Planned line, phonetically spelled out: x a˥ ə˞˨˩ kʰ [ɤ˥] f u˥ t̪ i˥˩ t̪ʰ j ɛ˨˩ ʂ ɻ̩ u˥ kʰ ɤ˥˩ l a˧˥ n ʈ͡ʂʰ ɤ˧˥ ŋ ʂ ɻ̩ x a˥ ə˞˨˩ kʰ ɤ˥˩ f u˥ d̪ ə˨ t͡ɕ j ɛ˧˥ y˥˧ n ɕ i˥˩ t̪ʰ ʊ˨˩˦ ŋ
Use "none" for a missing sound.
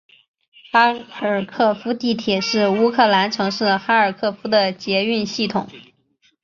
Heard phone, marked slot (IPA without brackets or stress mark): ɤ˥˩